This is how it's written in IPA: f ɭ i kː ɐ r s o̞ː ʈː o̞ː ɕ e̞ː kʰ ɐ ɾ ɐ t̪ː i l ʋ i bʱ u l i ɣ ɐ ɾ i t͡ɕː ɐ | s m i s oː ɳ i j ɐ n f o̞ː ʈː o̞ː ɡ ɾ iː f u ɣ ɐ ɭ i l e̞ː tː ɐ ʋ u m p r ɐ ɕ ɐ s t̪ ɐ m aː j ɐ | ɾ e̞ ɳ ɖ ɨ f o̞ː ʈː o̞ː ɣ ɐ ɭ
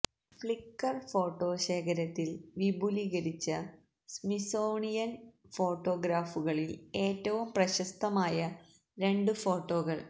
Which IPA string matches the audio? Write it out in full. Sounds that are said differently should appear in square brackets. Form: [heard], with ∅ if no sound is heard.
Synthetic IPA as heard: f ɭ i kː ɐ r [f] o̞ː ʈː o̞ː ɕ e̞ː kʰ ɐ ɾ ɐ t̪ː i l ʋ i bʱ u l i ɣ ɐ ɾ i t͡ɕː ɐ | s m i s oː ɳ i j ɐ n f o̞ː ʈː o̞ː ɡ ɾ [aː] f u ɣ ɐ ɭ i l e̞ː tː ɐ ʋ u m p r ɐ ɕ ɐ s t̪ ɐ m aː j ɐ | ɾ e̞ ɳ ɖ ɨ f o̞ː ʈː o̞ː ɣ ɐ ɭ